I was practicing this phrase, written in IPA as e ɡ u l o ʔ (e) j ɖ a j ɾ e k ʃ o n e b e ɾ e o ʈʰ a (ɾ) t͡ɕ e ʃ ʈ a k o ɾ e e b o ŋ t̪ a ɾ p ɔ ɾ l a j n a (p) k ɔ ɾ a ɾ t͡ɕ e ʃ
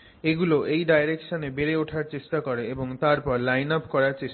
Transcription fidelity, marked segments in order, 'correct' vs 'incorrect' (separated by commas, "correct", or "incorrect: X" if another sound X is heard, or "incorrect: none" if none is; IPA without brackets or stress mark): correct, correct, correct